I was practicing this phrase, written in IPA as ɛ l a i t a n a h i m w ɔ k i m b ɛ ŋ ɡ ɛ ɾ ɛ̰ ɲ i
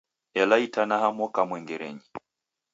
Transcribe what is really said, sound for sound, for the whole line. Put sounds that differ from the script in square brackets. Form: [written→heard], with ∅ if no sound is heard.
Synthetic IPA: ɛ l a i t a n a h [i→a] m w ɔ k [i→a] m [b→w] ɛ ŋ ɡ ɛ ɾ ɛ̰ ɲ i